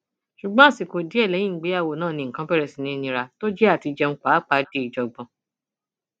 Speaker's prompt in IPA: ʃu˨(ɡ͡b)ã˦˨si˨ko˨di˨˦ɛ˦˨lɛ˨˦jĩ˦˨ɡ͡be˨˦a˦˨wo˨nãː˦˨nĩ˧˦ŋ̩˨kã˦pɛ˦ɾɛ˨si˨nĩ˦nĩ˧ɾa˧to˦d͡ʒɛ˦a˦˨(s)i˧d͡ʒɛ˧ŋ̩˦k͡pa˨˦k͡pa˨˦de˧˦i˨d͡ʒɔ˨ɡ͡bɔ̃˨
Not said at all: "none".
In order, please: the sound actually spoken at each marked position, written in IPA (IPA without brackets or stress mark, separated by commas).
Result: ɡ͡b, t